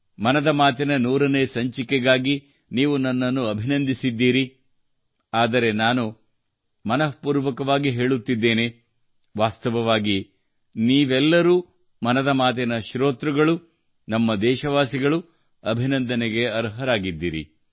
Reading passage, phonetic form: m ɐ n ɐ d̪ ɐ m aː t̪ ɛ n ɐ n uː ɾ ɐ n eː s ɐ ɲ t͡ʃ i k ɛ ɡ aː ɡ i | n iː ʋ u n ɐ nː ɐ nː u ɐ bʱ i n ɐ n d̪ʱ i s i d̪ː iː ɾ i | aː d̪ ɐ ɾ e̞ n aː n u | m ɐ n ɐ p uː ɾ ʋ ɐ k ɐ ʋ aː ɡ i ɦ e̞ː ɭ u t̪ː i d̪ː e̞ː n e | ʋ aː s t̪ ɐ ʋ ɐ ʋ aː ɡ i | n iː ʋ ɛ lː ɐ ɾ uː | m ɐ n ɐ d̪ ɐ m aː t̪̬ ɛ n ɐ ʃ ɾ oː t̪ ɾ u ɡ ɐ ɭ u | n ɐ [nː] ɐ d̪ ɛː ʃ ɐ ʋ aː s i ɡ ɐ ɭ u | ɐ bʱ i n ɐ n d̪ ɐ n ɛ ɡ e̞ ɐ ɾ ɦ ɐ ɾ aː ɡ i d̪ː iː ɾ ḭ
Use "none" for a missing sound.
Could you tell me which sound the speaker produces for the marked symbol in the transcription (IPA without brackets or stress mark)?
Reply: mː